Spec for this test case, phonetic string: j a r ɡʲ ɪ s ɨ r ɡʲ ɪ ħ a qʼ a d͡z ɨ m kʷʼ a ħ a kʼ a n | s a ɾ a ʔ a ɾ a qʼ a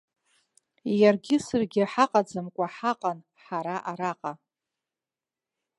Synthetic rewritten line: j a r ɡʲ ɪ s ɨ r ɡʲ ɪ ħ a qʼ a d͡z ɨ m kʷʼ a ħ a qʼ a n | ħ a ɾ a ʔ a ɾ a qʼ a